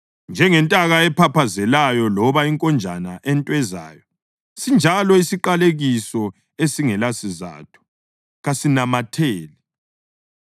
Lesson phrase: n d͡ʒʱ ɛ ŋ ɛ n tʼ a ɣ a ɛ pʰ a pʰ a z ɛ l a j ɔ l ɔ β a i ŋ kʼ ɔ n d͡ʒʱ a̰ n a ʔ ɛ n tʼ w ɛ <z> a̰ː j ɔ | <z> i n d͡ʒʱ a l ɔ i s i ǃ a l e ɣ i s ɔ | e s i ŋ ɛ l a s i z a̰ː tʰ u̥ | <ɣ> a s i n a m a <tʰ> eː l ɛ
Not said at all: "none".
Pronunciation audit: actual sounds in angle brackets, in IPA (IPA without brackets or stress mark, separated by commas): z, s, ɣ, tʰ